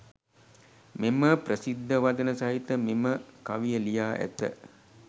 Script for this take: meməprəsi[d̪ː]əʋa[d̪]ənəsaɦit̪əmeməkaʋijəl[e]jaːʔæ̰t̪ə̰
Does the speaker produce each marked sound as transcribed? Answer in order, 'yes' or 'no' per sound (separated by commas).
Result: yes, yes, no